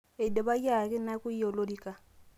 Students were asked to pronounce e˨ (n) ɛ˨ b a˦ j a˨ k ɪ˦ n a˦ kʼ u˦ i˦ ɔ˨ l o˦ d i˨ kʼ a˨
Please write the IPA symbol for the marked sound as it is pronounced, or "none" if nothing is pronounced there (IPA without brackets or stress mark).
d